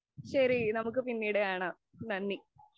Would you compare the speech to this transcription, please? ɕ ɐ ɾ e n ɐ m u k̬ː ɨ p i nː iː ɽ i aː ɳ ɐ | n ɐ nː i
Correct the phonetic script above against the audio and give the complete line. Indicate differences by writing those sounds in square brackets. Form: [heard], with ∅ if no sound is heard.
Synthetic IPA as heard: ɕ ɐ ɾ [i] n ɐ m u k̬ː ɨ p i nː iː ɽ [e] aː ɳ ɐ | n ɐ nː i